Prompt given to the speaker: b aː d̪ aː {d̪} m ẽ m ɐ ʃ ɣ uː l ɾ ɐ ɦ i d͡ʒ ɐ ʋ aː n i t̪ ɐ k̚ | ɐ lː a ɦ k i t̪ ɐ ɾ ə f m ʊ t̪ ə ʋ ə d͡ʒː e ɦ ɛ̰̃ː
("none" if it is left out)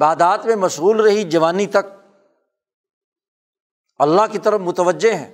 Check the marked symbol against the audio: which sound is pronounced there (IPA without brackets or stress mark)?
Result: t̪